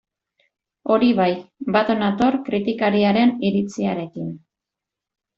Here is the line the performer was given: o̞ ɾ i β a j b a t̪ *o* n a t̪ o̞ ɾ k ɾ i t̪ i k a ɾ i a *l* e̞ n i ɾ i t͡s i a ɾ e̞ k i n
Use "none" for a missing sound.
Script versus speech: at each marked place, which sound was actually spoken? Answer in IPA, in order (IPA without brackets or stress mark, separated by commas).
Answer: o, ɾ